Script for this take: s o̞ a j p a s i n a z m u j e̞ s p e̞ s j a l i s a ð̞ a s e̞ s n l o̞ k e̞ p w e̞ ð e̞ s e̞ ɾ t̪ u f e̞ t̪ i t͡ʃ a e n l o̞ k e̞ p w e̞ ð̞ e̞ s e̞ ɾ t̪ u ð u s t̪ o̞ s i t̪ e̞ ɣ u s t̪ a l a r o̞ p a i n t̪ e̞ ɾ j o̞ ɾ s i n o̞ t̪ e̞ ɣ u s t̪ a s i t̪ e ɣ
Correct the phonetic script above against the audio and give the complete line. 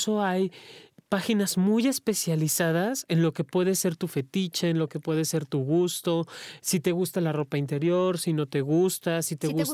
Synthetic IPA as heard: s o̞ a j p a x i n a z m u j e̞ s p e̞ s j a l i s a ð̞ a s e̞ n l o̞ k e̞ p w e̞ ð e̞ s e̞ ɾ t̪ u f e̞ t̪ i t͡ʃ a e n l o̞ k e̞ p w e̞ ð̞ e̞ s e̞ ɾ t̪ u ɣ u s t̪ o̞ s i t̪ e̞ ɣ u s t̪ a l a r o̞ p a i n t̪ e̞ ɾ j o̞ ɾ s i n o̞ t̪ e̞ ɣ u s t̪ a s i t̪ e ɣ